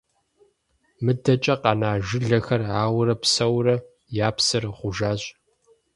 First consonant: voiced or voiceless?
voiced